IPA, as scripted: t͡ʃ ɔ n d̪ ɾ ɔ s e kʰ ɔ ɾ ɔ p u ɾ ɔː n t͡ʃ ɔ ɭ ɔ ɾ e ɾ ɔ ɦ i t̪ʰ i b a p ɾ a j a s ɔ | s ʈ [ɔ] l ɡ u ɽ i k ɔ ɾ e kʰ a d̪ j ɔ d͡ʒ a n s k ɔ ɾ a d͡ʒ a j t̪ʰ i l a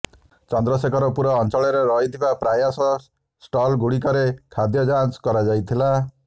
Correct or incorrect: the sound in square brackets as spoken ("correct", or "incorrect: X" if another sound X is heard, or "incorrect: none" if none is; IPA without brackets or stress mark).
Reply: correct